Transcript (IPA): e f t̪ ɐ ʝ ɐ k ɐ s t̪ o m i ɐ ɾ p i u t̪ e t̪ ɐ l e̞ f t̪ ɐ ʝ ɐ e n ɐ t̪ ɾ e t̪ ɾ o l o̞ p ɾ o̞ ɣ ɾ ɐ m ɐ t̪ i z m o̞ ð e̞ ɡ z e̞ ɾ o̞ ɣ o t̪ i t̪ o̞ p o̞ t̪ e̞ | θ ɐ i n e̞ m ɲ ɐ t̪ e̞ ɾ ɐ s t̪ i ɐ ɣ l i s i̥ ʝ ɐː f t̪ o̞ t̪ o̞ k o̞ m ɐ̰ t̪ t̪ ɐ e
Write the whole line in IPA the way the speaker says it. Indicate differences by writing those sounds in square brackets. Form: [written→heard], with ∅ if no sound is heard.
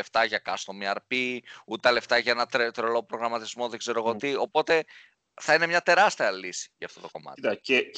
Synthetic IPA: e f t̪ ɐ ʝ ɐ k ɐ s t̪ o m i ɐ ɾ p i u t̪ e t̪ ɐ l e̞ f t̪ ɐ ʝ ɐ e n ɐ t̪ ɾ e t̪ ɾ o l o̞ p ɾ o̞ ɣ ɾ ɐ m ɐ t̪ i z m o̞ ð e̞ ɡ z e̞ ɾ o̞ ɣ o t̪ i [t̪→∅] o̞ p o̞ t̪ e̞ | θ ɐ i n e̞ m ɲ ɐ t̪ e̞ ɾ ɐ s t̪ i ɐ [ɣ→∅] l i s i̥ ʝ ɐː f t̪ o̞ t̪ o̞ k o̞ m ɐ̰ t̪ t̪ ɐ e